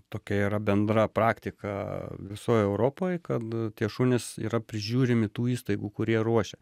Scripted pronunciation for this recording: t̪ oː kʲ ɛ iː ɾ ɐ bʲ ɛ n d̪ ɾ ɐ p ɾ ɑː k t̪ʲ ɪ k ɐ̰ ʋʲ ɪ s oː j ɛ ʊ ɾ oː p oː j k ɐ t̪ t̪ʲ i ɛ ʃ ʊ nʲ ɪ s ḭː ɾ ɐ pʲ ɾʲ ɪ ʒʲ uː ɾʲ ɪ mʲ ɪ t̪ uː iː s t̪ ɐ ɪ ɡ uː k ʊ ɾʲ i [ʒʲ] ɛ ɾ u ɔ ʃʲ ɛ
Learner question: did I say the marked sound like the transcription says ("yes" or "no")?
no